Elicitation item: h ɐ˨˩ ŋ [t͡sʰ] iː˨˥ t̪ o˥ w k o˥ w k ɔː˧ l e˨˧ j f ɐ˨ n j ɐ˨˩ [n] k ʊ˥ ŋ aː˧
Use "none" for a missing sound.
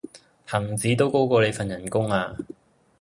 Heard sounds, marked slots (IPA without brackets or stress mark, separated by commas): t͡s, n